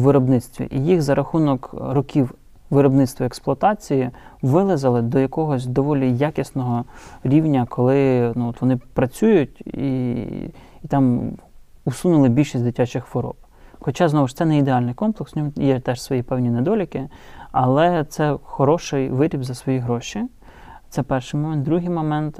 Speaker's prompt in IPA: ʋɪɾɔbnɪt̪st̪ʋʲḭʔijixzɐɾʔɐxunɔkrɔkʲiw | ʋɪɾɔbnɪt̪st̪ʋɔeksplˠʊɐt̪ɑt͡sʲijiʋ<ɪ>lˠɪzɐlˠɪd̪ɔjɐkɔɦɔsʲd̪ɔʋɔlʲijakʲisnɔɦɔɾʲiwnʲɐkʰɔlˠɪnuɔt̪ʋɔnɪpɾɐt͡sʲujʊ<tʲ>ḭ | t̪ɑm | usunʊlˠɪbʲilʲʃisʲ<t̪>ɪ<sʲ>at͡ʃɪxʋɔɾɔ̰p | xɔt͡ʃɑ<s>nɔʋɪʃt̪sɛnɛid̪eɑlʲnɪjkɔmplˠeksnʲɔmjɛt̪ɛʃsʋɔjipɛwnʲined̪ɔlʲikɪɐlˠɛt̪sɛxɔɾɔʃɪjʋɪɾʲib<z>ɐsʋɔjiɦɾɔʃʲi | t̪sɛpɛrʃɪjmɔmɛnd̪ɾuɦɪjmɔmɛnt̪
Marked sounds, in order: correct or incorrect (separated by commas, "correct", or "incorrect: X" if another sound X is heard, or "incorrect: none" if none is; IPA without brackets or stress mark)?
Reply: correct, correct, incorrect: d̪, incorrect: tʲ, incorrect: z, correct